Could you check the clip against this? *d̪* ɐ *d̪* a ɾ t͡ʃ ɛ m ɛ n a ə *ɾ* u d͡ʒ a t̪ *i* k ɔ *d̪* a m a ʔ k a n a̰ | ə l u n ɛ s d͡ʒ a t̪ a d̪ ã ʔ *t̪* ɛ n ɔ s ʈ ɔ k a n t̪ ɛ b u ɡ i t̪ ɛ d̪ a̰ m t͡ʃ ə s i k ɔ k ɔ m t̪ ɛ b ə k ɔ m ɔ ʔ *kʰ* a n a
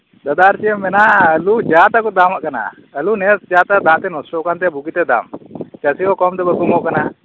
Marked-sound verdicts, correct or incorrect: correct, correct, incorrect, incorrect, correct, correct, incorrect

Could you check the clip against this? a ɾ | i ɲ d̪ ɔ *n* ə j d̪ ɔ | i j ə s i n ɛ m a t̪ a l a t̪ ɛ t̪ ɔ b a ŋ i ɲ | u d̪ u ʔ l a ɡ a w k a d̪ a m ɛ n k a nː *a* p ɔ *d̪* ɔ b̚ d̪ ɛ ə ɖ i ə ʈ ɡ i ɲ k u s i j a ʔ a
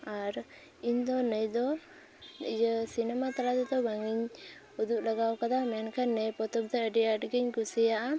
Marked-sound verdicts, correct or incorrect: correct, incorrect, incorrect

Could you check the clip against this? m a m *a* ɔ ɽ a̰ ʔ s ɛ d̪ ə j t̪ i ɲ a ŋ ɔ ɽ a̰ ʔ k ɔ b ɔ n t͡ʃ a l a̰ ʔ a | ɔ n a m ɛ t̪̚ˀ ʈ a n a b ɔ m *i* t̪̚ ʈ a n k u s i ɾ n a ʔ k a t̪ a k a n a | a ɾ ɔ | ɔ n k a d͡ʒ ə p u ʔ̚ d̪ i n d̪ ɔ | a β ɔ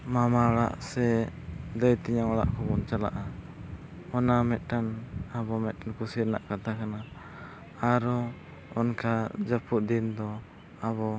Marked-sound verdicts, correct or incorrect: correct, incorrect

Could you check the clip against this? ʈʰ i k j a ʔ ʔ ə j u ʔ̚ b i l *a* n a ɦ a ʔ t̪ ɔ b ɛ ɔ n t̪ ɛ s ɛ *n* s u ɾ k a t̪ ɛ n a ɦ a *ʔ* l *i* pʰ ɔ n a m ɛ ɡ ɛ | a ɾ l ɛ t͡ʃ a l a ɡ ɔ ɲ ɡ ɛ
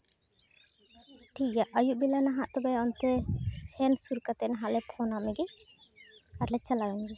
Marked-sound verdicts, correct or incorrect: correct, correct, correct, incorrect

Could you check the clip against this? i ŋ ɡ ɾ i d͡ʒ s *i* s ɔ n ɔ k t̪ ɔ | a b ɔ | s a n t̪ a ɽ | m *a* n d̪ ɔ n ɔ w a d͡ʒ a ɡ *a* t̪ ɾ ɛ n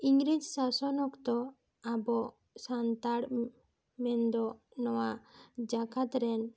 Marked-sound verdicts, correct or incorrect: incorrect, incorrect, correct

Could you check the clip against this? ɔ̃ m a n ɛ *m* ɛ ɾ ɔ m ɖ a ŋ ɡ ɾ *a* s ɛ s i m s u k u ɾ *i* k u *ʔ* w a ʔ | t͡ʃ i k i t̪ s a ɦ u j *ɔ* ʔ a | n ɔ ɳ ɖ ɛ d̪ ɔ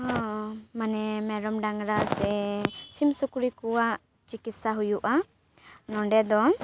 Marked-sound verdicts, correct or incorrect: correct, correct, correct, incorrect, incorrect

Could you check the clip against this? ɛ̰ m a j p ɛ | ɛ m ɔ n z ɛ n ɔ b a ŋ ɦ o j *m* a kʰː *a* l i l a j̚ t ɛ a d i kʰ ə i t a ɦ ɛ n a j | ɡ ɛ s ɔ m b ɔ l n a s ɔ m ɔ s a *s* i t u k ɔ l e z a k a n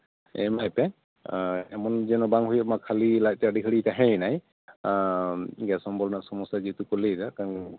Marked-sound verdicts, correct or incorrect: correct, correct, incorrect

